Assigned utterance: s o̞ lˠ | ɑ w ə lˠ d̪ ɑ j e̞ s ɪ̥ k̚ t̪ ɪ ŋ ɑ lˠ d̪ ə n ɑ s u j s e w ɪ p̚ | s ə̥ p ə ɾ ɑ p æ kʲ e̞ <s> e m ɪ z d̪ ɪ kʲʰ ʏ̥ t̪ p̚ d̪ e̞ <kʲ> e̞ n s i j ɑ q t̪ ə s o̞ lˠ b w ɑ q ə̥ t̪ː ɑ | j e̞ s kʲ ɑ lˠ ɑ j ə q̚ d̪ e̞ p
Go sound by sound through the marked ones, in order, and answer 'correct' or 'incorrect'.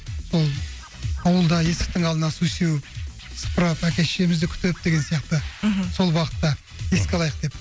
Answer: incorrect: ʃ, incorrect: ɡʲ

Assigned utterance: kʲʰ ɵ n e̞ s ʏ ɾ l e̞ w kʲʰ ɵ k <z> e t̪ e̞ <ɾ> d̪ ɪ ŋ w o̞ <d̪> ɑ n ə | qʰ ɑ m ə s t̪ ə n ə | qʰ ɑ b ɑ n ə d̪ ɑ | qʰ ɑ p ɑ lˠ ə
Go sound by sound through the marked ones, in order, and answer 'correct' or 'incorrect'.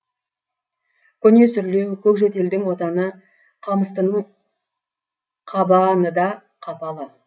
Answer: incorrect: ʒ, incorrect: l, incorrect: t̪

